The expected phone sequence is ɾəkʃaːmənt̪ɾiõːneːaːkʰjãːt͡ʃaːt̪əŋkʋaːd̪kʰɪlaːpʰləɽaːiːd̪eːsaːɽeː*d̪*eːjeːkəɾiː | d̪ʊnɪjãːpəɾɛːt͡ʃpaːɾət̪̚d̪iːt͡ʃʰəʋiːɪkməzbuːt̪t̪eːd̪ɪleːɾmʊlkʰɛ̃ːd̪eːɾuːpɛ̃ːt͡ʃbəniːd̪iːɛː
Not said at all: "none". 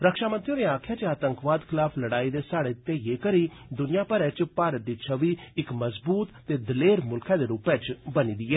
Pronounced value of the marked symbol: t̪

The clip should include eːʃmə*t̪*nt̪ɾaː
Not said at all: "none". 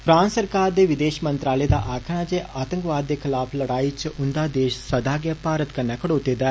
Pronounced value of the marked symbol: none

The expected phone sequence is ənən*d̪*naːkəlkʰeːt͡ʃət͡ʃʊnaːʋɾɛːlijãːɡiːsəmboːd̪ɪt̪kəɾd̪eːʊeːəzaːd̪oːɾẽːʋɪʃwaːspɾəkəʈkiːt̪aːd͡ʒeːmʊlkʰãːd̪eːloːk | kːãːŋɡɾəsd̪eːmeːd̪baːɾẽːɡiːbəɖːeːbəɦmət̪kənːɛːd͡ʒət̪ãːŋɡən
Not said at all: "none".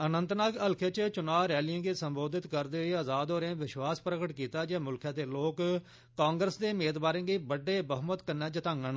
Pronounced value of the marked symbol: t̪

